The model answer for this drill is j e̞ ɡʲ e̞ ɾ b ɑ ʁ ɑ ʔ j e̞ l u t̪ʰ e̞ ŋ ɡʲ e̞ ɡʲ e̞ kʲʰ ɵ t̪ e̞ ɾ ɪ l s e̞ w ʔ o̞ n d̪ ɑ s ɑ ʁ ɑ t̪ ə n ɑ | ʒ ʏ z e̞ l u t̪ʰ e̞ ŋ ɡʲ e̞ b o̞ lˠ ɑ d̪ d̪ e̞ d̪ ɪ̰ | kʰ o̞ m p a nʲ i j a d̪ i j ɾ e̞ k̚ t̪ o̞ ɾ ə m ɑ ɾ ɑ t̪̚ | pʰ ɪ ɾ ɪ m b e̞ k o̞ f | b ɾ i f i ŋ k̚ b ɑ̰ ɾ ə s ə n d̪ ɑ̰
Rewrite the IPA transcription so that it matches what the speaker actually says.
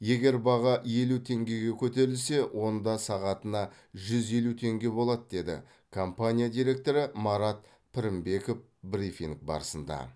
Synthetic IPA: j e̞ ɡʲ e̞ ɾ b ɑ ʁ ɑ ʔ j e̞ l u t̪ʰ e̞ ŋ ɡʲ e̞ ɡʲ e̞ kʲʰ ɵ t̪ e̞ ɾ ɪ l s e̞ w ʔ o̞ n d̪ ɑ s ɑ ʁ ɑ t̪ ə n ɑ | ʒ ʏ z e̞ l u t̪ʰ e̞ ŋ ɡʲ e̞ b o̞ lˠ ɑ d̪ d̪ e̞ d̪ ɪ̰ | kʰ o̞ m p a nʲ i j a d̪ i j ɾ e̞ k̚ t̪ o̞ ɾ ə m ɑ ɾ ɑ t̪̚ | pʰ ɪ ɾ ɪ m b e̞ k o̞ f | b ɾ i f i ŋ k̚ b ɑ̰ ɾ ə s ə n d̪ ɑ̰